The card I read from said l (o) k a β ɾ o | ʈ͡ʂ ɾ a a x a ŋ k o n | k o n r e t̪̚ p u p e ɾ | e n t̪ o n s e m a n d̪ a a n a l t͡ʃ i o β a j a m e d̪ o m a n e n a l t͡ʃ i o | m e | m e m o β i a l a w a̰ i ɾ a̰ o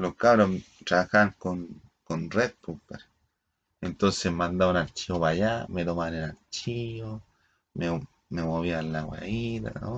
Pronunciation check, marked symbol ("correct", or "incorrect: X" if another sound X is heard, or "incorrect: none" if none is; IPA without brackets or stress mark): correct